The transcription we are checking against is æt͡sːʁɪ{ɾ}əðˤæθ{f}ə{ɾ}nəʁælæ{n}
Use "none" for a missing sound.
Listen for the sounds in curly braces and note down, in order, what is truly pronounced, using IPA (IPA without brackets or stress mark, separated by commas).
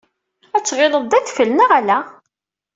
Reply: l, f, l, none